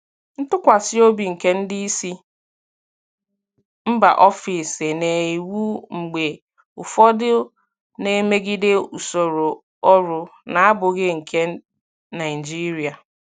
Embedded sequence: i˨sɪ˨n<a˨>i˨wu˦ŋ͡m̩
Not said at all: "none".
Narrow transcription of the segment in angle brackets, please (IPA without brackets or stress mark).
e˨